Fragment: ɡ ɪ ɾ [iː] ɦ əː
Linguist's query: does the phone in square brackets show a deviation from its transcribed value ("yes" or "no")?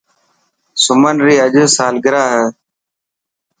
yes